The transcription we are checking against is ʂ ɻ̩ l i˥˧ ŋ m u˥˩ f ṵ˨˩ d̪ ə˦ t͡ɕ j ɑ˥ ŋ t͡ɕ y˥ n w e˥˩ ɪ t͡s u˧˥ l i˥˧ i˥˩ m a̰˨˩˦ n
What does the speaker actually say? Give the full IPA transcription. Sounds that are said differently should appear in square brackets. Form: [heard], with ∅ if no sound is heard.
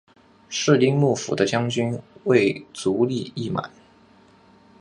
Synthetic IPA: ʂ ɻ̩ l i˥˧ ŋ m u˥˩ f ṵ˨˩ d̪ ə˦ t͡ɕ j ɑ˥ ŋ t͡ɕ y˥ n w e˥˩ ɪ t͡s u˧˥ l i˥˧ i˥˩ m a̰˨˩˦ n